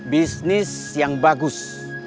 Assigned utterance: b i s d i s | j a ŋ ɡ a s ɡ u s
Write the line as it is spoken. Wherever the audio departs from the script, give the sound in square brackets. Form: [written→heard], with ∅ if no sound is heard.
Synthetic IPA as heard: b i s [d→n] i s | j a ŋ [ɡ→b] a [s→∅] ɡ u s